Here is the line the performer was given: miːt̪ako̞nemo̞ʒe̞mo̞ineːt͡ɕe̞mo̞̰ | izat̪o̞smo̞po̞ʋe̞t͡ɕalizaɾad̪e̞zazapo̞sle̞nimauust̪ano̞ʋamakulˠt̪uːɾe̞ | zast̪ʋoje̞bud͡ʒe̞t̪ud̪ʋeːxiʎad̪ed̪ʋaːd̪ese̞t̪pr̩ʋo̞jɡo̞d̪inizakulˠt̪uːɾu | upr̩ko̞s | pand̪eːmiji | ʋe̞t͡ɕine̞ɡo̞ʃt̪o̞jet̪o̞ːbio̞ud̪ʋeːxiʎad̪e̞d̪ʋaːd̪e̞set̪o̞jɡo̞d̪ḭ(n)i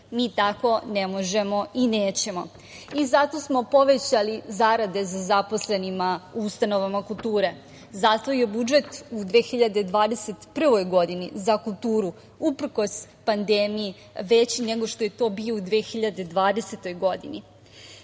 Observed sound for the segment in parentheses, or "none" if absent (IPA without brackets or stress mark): n